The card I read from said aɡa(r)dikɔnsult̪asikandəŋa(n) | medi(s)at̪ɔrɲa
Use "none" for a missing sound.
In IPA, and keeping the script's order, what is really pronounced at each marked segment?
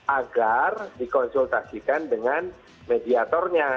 r, n, none

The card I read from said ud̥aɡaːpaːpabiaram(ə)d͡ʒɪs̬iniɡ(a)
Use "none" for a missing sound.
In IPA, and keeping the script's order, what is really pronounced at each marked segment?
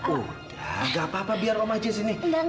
a, a

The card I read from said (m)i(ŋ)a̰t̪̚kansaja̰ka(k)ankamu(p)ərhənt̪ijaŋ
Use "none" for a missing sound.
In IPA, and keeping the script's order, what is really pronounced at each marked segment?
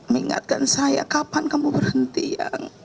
m, ŋ, p, b

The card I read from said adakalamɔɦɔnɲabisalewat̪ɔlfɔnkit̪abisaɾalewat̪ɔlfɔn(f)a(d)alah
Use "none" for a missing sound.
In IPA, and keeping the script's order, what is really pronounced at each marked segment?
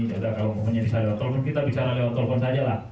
s, d͡ʒ

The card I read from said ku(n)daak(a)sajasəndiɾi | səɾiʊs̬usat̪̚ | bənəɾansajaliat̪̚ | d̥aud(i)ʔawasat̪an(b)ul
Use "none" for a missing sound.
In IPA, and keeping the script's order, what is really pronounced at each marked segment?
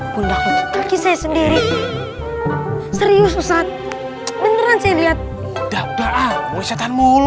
n, i, a, m

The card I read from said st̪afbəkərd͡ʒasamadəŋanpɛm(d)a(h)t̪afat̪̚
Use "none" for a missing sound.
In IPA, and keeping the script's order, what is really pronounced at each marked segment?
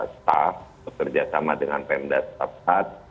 d, s

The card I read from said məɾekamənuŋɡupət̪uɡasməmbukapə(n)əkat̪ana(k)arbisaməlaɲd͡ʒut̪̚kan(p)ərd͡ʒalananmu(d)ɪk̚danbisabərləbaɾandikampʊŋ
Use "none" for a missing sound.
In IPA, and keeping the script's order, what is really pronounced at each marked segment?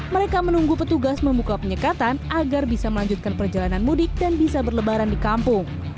ɲ, ɡ, p, d

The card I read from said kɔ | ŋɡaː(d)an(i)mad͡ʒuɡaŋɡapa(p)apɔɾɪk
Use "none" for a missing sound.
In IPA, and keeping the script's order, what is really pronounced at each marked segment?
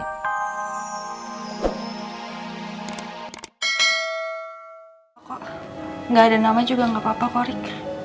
d, a, p

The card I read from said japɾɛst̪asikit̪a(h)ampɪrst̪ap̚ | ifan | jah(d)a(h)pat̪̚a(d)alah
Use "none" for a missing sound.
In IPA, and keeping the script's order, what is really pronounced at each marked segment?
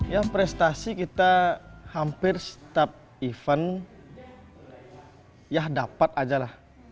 h, d, none, d͡ʒ

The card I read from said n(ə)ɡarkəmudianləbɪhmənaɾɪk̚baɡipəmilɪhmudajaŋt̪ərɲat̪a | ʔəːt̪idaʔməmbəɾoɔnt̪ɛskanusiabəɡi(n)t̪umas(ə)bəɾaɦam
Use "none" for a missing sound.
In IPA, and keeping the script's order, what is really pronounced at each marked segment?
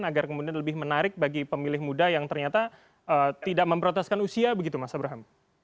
a, none, a

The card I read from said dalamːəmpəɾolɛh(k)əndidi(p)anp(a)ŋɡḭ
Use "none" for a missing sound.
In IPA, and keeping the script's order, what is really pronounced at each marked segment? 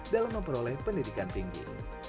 p, k, i

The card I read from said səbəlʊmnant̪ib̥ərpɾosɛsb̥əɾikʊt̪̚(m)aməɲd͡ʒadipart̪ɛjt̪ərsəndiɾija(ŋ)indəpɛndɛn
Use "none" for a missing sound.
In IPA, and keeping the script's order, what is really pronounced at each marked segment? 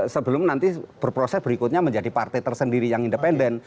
ɲ, ŋ

